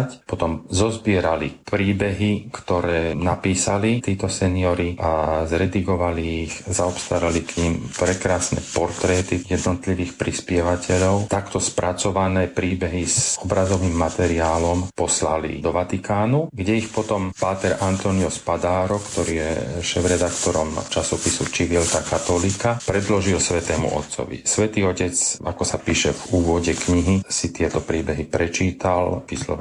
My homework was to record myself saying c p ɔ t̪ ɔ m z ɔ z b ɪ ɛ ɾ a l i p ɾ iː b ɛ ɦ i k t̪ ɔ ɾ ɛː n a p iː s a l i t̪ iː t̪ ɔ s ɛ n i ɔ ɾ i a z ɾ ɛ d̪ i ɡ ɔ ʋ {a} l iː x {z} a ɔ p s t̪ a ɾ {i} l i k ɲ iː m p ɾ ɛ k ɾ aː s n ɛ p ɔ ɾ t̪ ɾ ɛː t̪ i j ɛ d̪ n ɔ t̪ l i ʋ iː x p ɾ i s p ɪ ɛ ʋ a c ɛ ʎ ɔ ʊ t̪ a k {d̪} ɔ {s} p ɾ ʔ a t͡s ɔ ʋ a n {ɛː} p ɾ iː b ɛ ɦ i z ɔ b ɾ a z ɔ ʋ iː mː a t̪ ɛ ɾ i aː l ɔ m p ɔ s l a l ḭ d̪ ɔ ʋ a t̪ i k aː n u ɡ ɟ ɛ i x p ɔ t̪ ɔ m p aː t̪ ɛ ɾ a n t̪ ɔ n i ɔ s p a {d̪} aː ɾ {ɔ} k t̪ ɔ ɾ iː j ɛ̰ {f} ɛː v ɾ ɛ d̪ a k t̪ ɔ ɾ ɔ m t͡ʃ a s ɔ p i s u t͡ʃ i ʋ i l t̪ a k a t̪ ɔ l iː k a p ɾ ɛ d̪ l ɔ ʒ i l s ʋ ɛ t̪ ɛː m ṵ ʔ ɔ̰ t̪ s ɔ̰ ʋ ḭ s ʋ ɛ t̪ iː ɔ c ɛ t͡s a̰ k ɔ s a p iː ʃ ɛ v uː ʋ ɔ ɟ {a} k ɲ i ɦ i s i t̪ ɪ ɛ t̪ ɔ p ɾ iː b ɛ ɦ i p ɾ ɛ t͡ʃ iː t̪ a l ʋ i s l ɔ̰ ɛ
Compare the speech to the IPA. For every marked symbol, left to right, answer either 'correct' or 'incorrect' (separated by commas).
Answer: correct, correct, incorrect, incorrect, correct, correct, correct, correct, incorrect, incorrect